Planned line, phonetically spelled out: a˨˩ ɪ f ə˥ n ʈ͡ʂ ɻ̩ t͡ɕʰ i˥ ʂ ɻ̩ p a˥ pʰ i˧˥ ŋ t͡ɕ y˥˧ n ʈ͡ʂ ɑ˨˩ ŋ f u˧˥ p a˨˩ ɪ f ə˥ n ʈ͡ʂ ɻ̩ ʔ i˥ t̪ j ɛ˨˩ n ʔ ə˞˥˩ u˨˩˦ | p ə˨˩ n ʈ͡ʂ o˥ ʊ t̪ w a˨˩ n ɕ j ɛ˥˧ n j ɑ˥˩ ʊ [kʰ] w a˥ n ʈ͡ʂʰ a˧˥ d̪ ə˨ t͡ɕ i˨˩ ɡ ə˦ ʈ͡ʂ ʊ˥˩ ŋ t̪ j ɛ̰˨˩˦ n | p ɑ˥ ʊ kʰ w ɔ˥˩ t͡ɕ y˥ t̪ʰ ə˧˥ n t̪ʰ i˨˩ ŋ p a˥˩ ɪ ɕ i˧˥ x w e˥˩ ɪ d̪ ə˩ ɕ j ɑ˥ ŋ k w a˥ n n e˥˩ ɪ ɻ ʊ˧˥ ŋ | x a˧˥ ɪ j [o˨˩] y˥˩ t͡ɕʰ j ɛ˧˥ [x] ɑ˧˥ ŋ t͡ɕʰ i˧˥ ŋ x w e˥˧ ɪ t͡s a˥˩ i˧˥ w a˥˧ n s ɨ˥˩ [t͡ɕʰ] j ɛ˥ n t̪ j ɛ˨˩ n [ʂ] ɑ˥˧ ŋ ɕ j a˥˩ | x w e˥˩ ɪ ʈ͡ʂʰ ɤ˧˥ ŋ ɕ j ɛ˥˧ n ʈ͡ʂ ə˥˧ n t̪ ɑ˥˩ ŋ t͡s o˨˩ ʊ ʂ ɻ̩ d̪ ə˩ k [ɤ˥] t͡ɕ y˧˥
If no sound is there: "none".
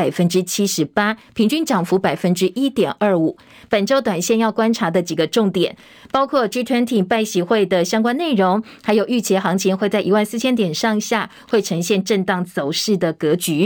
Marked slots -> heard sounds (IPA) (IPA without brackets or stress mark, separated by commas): k, o˨˩, x, t͡ɕʰ, ʂ, ɤ˧˥